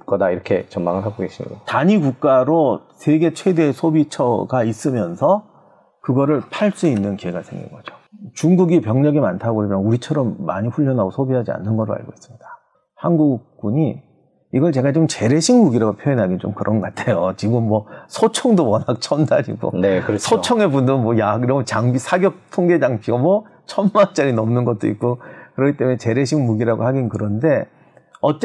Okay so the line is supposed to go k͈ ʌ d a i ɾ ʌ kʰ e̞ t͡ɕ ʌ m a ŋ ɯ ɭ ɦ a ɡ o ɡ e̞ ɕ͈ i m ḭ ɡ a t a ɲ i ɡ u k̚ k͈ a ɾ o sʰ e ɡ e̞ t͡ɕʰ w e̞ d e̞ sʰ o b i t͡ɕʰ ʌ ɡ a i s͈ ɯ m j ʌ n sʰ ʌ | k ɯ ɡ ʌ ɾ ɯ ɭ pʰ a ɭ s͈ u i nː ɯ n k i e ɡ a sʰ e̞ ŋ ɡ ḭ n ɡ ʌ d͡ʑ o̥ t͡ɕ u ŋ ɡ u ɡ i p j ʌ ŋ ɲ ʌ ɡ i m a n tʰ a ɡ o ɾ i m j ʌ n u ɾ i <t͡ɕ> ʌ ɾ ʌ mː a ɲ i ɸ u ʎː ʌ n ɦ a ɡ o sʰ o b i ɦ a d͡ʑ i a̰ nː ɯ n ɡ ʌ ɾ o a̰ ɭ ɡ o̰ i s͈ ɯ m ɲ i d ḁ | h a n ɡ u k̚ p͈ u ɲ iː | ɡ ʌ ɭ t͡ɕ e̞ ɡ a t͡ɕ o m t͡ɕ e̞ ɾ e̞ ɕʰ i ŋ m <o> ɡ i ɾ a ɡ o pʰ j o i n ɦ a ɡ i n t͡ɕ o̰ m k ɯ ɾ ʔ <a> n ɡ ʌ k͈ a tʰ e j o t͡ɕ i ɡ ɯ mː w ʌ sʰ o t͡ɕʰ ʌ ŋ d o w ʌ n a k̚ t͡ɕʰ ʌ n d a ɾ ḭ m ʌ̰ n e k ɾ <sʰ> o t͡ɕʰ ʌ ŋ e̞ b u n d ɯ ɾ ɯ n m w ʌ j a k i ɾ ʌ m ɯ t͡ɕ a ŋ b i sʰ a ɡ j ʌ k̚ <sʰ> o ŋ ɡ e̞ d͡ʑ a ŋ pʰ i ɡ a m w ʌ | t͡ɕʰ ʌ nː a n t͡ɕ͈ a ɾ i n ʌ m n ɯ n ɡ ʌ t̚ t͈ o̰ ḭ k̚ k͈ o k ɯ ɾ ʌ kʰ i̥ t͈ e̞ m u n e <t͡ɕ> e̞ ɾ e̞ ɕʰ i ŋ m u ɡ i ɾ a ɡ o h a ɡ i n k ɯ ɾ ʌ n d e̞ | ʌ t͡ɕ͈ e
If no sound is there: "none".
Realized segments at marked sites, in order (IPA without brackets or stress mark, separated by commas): t͡ɕʰ, u, ʌ, sʰ, tʰ, t͡ɕ